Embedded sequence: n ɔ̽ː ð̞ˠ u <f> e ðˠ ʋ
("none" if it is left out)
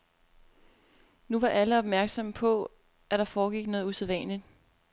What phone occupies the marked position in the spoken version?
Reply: s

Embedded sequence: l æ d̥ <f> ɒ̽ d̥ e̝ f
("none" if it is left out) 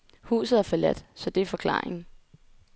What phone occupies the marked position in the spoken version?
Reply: s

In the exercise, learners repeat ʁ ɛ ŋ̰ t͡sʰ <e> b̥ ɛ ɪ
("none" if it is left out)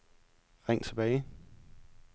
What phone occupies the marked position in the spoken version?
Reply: e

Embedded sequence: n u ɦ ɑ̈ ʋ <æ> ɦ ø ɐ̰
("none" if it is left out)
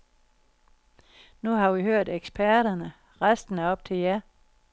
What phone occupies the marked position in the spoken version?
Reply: i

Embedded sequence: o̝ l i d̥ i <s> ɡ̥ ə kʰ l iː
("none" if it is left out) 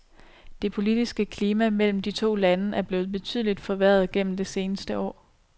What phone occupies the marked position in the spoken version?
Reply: s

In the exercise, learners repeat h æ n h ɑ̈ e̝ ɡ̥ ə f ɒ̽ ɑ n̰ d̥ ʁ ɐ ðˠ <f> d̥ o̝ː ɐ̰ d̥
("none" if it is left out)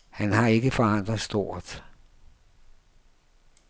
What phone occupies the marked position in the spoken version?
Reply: s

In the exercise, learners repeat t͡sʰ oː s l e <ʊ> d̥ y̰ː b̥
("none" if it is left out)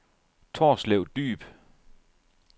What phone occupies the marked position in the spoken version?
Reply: ʊ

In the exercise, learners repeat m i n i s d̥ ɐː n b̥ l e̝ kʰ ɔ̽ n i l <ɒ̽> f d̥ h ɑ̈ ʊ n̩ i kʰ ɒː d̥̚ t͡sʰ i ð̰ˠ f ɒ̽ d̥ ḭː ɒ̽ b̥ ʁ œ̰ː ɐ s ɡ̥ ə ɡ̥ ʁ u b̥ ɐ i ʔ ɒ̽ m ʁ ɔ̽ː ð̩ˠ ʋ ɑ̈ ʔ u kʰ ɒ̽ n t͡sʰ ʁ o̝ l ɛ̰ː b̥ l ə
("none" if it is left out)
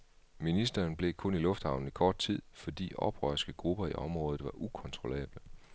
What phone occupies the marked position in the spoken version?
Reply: ɔ̽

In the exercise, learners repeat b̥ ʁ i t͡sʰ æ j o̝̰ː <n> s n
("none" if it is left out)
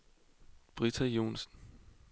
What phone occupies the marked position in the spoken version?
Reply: n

